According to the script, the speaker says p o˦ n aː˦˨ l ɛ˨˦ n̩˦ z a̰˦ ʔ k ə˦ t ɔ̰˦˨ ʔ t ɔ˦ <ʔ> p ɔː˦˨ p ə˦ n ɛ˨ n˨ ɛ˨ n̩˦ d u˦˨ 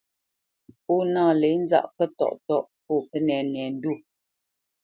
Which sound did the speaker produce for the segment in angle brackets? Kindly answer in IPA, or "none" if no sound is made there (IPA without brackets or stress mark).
ʔ